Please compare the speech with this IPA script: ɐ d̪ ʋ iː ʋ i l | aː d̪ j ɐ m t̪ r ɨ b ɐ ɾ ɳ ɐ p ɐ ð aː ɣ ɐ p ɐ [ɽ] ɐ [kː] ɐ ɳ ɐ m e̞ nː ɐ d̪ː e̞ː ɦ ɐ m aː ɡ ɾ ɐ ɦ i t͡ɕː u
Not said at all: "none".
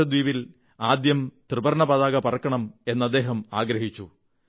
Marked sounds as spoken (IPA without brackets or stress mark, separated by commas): r, kː